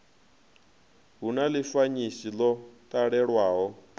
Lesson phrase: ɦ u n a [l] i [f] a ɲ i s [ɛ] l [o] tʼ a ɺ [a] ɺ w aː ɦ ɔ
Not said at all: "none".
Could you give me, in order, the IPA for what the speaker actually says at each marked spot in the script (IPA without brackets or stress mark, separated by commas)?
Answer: l, f, i, ɔ, ɛ